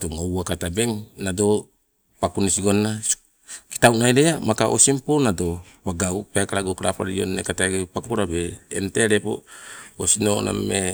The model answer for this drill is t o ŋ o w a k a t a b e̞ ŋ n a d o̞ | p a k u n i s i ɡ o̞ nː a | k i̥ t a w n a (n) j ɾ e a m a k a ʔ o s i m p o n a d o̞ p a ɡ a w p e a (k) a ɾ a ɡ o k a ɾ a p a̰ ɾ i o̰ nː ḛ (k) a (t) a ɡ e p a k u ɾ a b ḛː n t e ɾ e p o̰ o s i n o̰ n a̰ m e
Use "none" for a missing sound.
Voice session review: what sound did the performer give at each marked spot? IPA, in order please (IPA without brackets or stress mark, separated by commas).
none, k, k, t